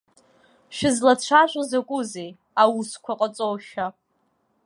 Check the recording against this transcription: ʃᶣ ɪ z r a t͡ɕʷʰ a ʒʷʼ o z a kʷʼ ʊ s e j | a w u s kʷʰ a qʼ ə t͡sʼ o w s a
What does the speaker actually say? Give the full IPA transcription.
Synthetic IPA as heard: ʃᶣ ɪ z l a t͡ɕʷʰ a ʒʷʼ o z a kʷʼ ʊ z e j | a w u s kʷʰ a qʼ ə t͡sʼ o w ʃ a